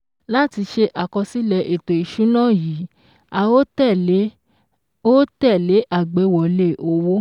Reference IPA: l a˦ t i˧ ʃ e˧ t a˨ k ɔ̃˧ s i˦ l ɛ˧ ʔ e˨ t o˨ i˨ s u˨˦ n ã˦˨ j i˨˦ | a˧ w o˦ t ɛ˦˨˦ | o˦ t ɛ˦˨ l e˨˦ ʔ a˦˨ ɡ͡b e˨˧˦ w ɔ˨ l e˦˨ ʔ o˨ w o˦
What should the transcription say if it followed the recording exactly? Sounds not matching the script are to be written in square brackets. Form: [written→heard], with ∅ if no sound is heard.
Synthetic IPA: l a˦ t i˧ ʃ e˧ [t→ʔ] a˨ k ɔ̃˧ s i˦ l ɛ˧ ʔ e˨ t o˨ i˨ [s→ʃ] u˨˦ n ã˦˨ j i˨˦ | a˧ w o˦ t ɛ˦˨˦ | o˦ t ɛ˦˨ l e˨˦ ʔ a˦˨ ɡ͡b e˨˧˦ w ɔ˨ l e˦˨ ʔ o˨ w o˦